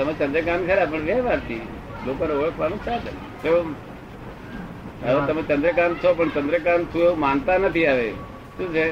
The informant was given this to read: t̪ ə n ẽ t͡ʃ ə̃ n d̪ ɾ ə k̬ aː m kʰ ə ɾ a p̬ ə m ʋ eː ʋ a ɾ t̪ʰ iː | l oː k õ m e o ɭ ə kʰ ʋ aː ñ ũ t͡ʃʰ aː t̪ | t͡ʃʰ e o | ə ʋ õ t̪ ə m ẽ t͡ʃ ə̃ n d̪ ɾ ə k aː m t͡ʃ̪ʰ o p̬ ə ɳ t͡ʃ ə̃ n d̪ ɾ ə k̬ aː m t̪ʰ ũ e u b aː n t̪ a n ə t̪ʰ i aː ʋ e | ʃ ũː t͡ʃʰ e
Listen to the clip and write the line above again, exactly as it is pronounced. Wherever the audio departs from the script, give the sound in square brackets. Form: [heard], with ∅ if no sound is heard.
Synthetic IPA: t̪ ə [m] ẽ t͡ʃ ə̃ n d̪ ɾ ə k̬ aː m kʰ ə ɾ a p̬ ə [ɳ] ʋ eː ʋ a ɾ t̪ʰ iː | l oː k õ [n] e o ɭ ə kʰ ʋ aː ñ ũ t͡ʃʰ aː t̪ | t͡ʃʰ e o | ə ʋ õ t̪ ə m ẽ t͡ʃ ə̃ n d̪ ɾ ə k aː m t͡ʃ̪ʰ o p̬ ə ɳ t͡ʃ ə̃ n d̪ ɾ ə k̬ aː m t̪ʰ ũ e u [m] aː n t̪ a n ə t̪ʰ i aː ʋ e | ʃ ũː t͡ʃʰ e